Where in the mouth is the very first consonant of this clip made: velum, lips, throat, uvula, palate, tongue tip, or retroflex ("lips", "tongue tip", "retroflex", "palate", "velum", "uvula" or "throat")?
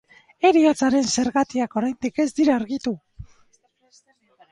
tongue tip